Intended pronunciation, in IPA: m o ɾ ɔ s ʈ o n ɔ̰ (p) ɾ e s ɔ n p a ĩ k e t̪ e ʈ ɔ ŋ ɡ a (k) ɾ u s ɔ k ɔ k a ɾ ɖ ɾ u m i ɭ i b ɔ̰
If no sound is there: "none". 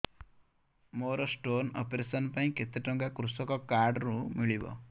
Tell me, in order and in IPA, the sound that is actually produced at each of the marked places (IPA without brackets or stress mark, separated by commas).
p, k